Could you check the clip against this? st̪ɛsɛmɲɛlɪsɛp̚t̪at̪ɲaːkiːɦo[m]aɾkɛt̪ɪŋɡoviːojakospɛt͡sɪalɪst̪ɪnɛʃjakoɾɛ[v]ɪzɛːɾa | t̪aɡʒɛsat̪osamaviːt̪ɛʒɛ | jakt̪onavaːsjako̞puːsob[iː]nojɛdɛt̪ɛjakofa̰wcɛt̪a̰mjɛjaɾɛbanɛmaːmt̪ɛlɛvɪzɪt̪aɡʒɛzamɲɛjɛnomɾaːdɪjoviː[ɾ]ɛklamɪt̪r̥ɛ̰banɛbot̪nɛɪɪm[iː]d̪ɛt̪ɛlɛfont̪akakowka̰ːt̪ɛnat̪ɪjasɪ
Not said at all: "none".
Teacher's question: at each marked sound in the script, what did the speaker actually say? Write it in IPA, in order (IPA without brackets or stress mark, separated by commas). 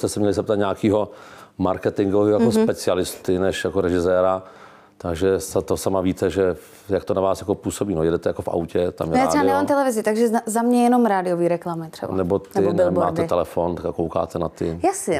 m, ʒ, iː, ɾ, aː